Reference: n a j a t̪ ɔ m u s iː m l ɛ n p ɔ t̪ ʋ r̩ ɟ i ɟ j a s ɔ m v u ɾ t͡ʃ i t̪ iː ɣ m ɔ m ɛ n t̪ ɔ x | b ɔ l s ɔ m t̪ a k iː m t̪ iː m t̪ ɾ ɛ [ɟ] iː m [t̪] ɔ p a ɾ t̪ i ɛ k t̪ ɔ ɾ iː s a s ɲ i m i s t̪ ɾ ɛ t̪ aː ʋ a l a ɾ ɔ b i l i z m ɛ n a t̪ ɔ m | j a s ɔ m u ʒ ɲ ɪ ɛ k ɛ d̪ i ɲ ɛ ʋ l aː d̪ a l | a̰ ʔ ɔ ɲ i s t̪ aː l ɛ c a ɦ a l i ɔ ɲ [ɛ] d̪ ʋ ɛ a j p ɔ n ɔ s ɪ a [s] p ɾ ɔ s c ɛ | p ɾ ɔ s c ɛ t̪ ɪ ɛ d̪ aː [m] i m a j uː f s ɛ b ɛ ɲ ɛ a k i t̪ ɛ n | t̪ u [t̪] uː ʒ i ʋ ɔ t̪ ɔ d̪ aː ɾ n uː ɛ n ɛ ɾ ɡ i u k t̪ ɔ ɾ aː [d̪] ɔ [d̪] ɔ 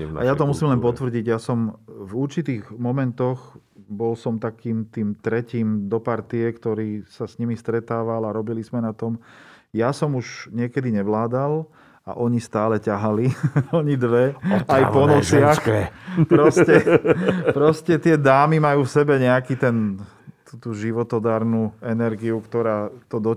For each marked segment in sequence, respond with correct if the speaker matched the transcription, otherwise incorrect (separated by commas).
incorrect, incorrect, incorrect, incorrect, correct, correct, incorrect, correct